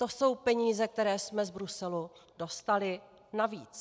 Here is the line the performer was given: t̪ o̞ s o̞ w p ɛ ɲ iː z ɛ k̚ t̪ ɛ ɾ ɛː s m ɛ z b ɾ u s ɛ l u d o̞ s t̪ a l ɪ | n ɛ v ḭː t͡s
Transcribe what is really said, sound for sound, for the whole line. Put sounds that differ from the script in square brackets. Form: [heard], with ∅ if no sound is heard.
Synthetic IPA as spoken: t̪ o̞ s o̞ w p ɛ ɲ iː z ɛ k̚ t̪ ɛ ɾ ɛː s m ɛ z b ɾ u s ɛ l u d o̞ s t̪ a l ɪ | n [a] v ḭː t͡s